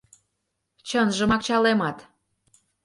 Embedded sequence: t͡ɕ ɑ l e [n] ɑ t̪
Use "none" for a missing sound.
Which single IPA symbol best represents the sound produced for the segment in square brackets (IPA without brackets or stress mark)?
m